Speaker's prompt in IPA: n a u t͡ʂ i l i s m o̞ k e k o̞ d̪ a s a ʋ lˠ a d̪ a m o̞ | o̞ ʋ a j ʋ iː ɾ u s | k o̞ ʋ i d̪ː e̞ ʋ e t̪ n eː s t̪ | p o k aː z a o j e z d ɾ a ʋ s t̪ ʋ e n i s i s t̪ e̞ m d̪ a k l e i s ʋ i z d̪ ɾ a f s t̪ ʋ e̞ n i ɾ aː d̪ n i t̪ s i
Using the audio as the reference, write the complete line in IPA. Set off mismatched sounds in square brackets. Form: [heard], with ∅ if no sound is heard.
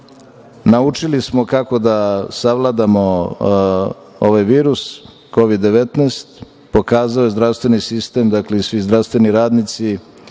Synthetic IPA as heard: n a u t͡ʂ i l i s m o̞ k [a] k o̞ d̪ a s a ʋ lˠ a d̪ a m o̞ | o̞ ʋ a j ʋ iː ɾ u s | k o̞ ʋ i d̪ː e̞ ʋ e t̪ n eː s t̪ | p o k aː z a o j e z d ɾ a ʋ s t̪ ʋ e n i s i s t̪ e̞ m d̪ a k l e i s ʋ i z d̪ ɾ a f s t̪ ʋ e̞ n i ɾ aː d̪ n i t̪ s i

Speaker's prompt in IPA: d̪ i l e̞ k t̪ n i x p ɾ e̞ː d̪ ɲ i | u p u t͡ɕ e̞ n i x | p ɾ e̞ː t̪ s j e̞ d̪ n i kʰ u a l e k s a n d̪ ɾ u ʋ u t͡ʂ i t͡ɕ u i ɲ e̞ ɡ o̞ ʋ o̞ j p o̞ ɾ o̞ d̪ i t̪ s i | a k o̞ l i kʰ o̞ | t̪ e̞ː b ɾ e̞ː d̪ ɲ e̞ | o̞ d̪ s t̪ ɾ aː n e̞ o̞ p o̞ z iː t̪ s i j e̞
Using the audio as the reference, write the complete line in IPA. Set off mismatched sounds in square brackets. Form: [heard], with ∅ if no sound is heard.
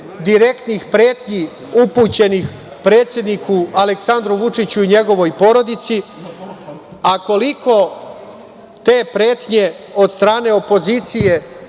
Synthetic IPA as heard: d̪ i [ɾ] e̞ k t̪ n i x p ɾ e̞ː [t̪] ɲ i | u p u t͡ɕ e̞ n i x | p ɾ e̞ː t̪ s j e̞ d̪ n i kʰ u a l e k s a n d̪ ɾ u ʋ u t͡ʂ i t͡ɕ u i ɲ e̞ ɡ o̞ ʋ o̞ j p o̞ ɾ o̞ d̪ i t̪ s i | a k o̞ l i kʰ o̞ | t̪ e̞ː [p] ɾ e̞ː [t̪] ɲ e̞ | o̞ d̪ s t̪ ɾ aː n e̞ o̞ p o̞ z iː t̪ s i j e̞

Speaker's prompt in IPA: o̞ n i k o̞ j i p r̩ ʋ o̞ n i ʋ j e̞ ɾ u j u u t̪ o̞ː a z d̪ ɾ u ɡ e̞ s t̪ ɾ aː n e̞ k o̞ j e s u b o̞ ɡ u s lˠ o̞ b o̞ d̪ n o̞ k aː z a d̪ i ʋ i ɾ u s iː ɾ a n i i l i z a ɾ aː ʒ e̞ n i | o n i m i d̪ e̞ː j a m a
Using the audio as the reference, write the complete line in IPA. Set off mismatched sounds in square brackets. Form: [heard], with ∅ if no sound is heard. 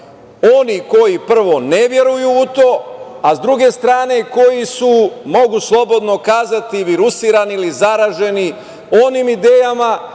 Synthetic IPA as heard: o̞ n i k o̞ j i p r̩ ʋ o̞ n [e] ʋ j e̞ ɾ u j u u t̪ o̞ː a z d̪ ɾ u ɡ e̞ s t̪ ɾ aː n e̞ k o̞ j [i] s u [m] o̞ ɡ u s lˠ o̞ b o̞ d̪ n o̞ k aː z a [t̪] i ʋ i ɾ u s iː ɾ a n i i l i z a ɾ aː ʒ e̞ n i | o n i m i d̪ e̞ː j a m a

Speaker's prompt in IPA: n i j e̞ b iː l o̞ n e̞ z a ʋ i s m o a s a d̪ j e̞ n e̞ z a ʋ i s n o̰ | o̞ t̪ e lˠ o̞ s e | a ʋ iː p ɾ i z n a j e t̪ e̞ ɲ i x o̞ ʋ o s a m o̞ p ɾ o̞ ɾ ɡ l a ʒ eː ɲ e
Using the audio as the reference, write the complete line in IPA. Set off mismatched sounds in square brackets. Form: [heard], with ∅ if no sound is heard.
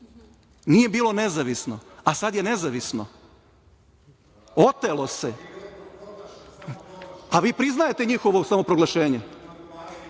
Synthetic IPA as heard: n i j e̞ b iː l o̞ n e̞ z a ʋ i s [n] o a s a d̪ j e̞ n e̞ z a ʋ i s n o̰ | o̞ t̪ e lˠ o̞ s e | a ʋ iː p ɾ i z n a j e t̪ e̞ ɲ i x o̞ ʋ o s a m o̞ p ɾ o̞ [∅] ɡ l a [ʃ] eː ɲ e

